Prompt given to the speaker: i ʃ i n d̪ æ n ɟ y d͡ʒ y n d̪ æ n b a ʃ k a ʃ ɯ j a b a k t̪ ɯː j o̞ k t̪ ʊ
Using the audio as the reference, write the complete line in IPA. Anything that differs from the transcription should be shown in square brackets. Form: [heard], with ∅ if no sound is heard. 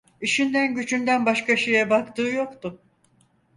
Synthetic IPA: i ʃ i n d̪ æ n ɟ y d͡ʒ y n d̪ æ n b a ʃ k a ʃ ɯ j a b a k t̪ ɯː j o̞ k t̪ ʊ

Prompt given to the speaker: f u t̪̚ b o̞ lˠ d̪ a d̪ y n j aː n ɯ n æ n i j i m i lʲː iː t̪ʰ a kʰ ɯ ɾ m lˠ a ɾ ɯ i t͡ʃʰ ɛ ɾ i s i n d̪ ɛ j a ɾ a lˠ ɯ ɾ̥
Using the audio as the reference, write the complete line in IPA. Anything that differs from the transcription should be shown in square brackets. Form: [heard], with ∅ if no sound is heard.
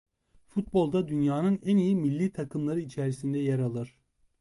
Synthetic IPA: f u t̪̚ b o̞ lˠ d̪ a d̪ y n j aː n ɯ n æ n i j i m i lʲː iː t̪ʰ a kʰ ɯ [∅] m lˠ a ɾ ɯ i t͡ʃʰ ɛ ɾ i s i n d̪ ɛ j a ɾ a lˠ ɯ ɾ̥

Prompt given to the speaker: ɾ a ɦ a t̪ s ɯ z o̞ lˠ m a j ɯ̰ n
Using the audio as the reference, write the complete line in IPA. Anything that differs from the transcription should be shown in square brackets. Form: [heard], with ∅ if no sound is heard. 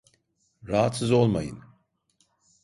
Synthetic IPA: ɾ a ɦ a t̪ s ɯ z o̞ lˠ m a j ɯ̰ n

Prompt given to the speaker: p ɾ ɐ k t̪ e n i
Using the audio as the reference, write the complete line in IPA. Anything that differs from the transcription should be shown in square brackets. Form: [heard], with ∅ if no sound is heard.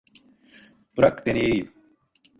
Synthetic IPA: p ɾ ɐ k t̪ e n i

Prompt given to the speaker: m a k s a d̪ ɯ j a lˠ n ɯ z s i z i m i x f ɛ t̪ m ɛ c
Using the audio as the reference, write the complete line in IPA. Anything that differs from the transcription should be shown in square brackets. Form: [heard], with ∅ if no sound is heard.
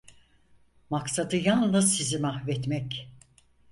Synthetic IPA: m a k s a d̪ ɯ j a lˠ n ɯ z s i z i m [a] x [v] ɛ t̪ m ɛ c

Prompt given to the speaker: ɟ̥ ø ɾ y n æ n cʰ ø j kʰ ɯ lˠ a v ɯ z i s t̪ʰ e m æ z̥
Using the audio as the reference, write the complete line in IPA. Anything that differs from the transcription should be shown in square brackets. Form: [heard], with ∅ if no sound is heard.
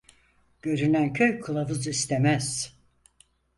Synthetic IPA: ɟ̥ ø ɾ y n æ n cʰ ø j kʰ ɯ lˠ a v ɯ z i s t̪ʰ e m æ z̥

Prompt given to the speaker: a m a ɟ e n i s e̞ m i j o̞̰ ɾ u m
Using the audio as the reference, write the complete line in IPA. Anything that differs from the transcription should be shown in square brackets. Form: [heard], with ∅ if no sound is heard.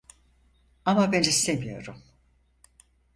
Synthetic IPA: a m a [b] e n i s e̞ m i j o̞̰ ɾ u m

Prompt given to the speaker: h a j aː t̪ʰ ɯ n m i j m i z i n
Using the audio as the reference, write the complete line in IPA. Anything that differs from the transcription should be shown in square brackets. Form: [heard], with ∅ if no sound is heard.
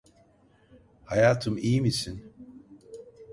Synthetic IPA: h a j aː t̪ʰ ɯ [∅] m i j m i [s] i n

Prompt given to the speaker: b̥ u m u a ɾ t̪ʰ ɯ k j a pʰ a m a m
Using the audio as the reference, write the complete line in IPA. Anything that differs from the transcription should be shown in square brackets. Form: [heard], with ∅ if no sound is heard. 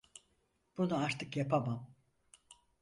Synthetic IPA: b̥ u [n] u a ɾ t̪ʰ ɯ k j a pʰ a m a m

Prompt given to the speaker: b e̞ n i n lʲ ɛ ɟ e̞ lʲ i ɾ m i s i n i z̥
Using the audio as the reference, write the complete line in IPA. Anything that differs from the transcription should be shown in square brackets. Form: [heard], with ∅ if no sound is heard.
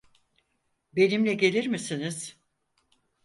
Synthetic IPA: b e̞ n i [m] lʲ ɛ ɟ e̞ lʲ i ɾ m i s i n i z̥

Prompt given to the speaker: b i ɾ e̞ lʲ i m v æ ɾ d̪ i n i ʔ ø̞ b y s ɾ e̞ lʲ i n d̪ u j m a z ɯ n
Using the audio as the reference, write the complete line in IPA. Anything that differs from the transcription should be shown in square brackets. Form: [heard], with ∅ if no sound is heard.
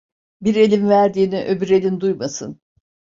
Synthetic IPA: b i ɾ e̞ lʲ i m v æ ɾ d̪ [iː] n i ʔ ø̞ b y [∅] ɾ e̞ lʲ i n d̪ u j m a [s] ɯ n

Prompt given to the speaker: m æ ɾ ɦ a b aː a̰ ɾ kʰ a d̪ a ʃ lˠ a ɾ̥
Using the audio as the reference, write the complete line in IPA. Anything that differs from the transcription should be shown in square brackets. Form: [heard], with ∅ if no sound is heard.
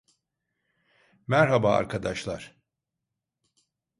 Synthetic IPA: m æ ɾ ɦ a b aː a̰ ɾ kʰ a d̪ a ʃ lˠ a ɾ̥

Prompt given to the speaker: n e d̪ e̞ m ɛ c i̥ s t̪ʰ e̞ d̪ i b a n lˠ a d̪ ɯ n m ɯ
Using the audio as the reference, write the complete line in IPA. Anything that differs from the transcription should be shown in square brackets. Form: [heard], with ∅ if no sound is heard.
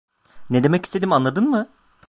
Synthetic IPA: n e d̪ e̞ m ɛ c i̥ s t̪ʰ e̞ d̪ i [m] a n lˠ a d̪ ɯ n m ɯ

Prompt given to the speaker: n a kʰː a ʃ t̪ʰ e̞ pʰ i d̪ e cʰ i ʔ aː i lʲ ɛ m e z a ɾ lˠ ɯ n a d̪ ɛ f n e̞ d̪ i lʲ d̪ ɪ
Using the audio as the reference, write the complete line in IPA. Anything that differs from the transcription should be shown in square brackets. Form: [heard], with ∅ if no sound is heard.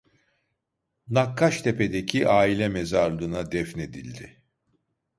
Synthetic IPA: n a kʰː a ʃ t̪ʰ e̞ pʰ [e] d̪ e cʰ i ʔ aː i lʲ ɛ m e z a ɾ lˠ ɯ n a d̪ ɛ f n e̞ d̪ i lʲ d̪ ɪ

